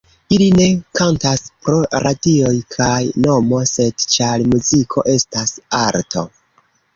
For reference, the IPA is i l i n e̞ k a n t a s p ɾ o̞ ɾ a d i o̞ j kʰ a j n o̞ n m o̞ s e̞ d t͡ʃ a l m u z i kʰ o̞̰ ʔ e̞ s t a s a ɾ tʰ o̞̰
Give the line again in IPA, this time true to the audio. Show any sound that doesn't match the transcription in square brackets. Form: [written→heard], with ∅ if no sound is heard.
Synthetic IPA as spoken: i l i n e̞ k a n t a s p ɾ o̞ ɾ a d i o̞ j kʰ a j n o̞ [n→∅] m o̞ s e̞ d t͡ʃ a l m u z i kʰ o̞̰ ʔ e̞ s t a s a ɾ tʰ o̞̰